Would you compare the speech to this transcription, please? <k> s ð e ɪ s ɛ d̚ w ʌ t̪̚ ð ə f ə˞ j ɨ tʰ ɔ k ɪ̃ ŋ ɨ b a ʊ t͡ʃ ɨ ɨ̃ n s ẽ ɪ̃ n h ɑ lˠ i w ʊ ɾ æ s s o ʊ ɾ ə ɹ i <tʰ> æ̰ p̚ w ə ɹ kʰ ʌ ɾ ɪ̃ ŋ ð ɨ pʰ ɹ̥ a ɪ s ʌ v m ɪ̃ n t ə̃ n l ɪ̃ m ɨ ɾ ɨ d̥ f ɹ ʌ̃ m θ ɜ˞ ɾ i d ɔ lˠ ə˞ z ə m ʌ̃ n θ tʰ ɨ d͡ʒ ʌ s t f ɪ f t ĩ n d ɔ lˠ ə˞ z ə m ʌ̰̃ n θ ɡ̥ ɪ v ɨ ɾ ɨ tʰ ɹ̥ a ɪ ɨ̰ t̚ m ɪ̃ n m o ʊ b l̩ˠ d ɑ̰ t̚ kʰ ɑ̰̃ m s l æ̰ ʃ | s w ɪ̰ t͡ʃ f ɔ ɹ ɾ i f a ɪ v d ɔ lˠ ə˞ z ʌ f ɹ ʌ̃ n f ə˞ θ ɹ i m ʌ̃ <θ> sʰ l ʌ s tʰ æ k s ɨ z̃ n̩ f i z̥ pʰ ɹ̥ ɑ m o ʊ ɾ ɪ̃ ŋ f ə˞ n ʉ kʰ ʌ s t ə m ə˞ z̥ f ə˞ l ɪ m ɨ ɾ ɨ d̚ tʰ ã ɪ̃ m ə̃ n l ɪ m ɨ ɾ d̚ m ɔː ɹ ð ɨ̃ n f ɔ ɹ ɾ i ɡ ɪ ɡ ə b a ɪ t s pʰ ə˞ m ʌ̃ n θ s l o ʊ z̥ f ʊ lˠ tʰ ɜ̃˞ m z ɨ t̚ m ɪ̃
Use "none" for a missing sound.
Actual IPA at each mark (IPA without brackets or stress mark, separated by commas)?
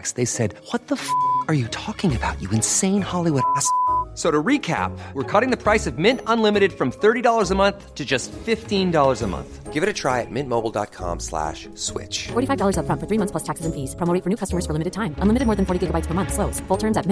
k, kʰ, θ